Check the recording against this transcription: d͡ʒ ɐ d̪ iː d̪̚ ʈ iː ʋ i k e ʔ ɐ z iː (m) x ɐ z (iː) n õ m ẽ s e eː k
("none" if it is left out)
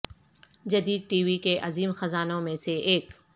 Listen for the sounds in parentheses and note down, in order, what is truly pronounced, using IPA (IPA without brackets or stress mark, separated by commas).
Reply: m, aː